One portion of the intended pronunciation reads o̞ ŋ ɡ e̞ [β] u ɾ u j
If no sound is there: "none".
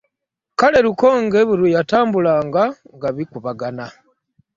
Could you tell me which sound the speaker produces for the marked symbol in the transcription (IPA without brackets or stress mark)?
β